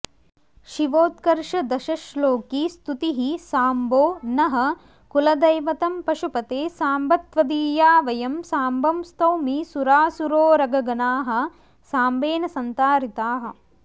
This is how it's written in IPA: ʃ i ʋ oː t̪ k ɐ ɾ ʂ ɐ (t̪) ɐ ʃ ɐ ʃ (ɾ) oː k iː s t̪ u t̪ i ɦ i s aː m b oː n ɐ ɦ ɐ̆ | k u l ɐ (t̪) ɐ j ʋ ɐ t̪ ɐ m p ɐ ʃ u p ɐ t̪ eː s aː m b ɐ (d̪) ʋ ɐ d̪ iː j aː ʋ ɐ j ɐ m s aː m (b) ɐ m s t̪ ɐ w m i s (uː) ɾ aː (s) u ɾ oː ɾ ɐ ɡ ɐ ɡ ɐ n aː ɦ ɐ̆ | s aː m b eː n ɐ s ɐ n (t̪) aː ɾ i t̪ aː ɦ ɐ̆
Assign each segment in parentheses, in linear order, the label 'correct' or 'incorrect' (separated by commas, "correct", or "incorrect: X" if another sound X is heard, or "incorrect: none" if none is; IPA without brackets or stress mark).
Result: incorrect: d̪, incorrect: l, incorrect: d̪, incorrect: t̪, correct, incorrect: u, correct, correct